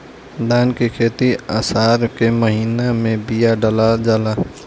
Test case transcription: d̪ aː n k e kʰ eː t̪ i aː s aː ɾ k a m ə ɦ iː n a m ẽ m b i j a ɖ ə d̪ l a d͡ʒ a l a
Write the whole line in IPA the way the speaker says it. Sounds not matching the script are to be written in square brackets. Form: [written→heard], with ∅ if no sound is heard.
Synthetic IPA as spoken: d̪ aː n k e kʰ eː t̪ i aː s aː ɾ k [a→e] m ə ɦ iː n a m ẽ [m→∅] b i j a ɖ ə [d̪→∅] l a d͡ʒ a l a